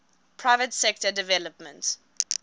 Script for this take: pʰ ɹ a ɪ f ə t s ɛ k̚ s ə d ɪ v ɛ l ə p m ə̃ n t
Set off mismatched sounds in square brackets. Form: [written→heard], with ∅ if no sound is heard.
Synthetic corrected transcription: pʰ ɹ a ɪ [f→v] ə t s ɛ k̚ [s→t] ə d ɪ v ɛ l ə p m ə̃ n t

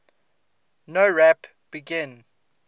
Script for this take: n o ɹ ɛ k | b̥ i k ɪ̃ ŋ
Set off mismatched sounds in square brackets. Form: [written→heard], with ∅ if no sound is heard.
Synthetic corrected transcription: n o ɹ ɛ [k→p] | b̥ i [k→ɡ] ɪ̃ [ŋ→n]

